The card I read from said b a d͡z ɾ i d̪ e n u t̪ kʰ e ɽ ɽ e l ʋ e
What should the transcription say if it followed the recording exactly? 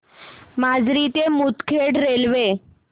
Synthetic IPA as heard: m a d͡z ɾ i t̪ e m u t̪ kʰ e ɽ ɾ e l ʋ e

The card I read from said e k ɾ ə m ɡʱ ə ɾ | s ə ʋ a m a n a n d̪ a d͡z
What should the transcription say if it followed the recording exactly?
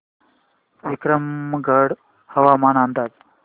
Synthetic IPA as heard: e k ɾ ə m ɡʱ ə ɽ | h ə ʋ a m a n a n d̪ a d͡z

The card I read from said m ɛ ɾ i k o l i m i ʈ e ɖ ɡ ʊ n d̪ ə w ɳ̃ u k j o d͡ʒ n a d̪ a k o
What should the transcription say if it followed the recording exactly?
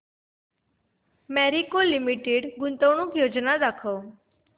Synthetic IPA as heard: m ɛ ɾ i k o l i m i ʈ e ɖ ɡ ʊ n t̪ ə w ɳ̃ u k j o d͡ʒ n a d̪ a kʰ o

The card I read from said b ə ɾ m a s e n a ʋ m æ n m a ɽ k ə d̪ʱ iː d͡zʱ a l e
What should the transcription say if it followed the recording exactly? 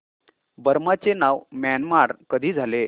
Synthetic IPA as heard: b ə ɾ m a t͡s e n a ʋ m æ n m a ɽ k ə d̪ʱ iː d͡zʱ a l e

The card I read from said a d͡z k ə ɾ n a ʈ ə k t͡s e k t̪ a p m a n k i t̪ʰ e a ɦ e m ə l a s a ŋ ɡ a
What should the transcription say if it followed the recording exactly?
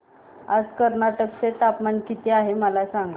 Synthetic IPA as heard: a d͡z k ə ɾ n a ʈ ə k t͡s e t̪ a p m a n k i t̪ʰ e a ɦ e m ə l a s a ŋ ɡ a

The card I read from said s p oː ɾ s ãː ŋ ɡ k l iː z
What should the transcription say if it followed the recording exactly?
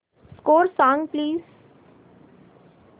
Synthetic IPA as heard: s k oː ɾ s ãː ŋ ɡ p l iː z

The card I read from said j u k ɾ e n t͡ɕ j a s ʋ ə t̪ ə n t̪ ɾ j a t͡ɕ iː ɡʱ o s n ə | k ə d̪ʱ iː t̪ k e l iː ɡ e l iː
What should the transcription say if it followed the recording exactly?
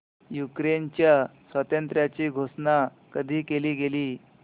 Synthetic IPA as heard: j u k ɾ e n t͡ɕ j a s ʋ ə t̪ ə n t̪ ɾ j a t͡ɕ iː ɡʱ o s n a | k ə d̪ʱ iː k e l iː ɡ e l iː

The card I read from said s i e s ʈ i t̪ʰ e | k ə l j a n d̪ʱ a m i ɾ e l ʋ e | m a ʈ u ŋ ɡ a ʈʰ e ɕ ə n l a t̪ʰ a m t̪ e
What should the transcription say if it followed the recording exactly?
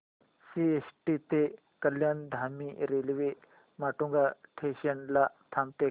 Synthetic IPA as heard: s i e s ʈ i t̪ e | k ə l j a n d̪ʱ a m i ɾ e l ʋ e | m a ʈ u ŋ ɡ a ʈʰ e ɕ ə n l a t̪ʰ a m t̪ e

